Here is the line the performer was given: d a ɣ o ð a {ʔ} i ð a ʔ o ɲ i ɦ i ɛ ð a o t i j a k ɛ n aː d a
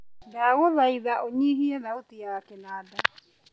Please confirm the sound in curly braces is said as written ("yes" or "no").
no